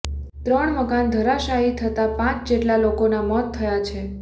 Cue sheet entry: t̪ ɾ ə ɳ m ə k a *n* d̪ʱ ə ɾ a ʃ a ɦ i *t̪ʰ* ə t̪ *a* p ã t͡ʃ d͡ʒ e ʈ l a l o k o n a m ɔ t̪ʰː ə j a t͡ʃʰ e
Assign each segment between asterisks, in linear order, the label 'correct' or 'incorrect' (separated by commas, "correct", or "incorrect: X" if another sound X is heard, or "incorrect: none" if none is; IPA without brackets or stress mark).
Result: correct, correct, correct